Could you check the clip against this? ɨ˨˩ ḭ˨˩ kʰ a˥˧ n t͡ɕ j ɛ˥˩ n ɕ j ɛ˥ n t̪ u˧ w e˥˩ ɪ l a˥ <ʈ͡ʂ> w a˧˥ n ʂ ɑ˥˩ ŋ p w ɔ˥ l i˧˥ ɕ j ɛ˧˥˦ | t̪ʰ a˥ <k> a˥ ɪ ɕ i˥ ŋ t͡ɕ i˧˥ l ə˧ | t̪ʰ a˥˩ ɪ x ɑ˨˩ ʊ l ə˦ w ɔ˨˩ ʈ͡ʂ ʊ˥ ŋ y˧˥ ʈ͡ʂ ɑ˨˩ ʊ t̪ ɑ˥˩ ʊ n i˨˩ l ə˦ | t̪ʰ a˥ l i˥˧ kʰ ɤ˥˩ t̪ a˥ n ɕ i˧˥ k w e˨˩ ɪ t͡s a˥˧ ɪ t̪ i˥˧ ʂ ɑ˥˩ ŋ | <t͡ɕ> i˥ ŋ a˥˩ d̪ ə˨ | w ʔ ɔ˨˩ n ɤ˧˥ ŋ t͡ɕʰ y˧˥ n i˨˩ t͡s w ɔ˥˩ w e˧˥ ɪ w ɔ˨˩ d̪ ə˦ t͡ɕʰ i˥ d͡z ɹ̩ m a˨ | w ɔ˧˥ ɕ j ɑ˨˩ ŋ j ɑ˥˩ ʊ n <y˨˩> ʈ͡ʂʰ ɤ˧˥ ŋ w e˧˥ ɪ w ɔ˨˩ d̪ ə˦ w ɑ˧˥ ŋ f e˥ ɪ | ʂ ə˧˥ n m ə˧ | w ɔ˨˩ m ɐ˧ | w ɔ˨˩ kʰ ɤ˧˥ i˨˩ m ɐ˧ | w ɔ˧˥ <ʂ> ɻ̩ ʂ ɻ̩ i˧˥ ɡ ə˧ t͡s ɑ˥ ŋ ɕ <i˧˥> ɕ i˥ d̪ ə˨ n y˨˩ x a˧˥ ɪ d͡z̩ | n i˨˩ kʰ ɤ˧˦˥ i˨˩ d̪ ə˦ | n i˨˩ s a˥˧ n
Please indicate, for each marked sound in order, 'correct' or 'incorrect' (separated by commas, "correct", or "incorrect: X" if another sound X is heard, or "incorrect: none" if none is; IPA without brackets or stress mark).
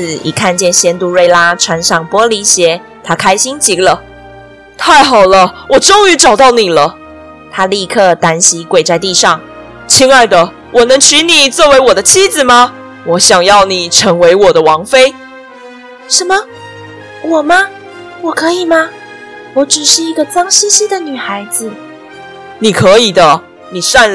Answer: incorrect: ʈ͡ʂʰ, incorrect: kʰ, incorrect: t͡ɕʰ, incorrect: i˨˩, incorrect: ʈ͡ʂ, incorrect: i˥